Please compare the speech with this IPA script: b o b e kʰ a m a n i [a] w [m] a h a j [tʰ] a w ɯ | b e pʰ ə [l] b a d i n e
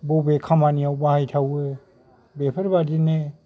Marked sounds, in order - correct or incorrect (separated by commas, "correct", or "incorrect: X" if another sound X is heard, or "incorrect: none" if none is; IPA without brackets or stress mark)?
correct, incorrect: b, correct, incorrect: ɾ